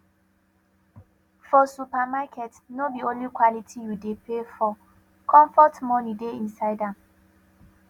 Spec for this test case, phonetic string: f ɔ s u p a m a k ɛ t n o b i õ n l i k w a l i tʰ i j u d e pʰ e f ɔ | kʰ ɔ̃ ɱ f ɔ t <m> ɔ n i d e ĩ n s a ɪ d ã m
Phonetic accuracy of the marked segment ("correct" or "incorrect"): correct